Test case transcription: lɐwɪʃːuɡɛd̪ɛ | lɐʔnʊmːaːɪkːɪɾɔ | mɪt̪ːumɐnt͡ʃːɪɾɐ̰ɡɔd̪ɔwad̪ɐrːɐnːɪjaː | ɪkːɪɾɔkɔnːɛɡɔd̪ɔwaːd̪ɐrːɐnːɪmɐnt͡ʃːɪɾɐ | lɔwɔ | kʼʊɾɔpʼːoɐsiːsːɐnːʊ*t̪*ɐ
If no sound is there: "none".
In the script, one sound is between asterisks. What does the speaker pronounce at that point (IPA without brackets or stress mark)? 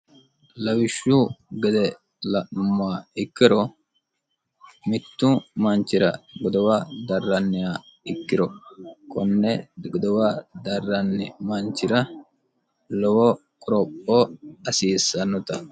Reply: t̪